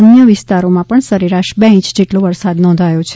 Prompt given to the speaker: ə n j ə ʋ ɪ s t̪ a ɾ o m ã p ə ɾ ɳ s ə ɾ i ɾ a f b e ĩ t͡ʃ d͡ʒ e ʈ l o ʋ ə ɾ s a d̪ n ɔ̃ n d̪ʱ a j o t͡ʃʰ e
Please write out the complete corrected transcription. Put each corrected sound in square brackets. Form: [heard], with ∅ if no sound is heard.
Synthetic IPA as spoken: ə n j ə ʋ ɪ s t̪ a ɾ o m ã p ə [∅] ɳ s ə ɾ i ɾ a [ʃ] b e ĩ t͡ʃ d͡ʒ e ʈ l o ʋ ə ɾ s a d̪ n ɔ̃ n d̪ʱ a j o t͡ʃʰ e